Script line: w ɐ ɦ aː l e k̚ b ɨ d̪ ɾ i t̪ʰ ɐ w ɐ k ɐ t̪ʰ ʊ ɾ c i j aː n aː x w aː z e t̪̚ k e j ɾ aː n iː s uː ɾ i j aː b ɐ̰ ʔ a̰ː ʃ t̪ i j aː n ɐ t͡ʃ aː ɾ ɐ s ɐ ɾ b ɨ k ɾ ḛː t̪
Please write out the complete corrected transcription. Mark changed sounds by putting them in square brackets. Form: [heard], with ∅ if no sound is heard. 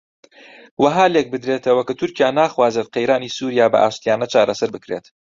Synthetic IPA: w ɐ ɦ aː l e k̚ b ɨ d̪ ɾ [e] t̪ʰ ɐ w ɐ k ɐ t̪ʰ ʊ ɾ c i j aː n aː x w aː z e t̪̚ [q] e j ɾ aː n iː s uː ɾ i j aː b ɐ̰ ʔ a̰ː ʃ t̪ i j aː n ɐ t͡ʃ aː ɾ ɐ s ɐ ɾ b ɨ k ɾ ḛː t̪